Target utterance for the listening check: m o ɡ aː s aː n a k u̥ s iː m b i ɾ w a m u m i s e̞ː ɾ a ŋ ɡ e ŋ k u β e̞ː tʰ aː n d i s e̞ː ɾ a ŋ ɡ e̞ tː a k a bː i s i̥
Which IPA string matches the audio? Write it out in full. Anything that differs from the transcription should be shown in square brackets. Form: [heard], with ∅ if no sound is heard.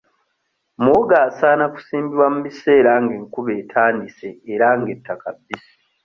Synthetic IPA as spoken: m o ɡ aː s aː n a k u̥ s iː m b i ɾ w a m u m i s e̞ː ɾ a ŋ ɡ e ŋ k u β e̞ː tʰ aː n d i s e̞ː ɾ a ŋ ɡ e̞ tː a k a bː i s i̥